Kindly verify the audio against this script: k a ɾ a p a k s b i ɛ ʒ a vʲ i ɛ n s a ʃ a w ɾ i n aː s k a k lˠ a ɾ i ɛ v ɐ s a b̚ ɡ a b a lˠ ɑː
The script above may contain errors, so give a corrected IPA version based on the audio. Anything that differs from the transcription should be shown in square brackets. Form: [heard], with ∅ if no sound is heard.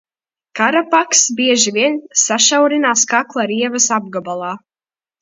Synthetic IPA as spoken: k a ɾ a p a k s b i ɛ ʒ [i] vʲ i ɛ n s a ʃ a w ɾ i n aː s k a k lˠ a ɾ i ɛ v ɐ s a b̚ ɡ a b a lˠ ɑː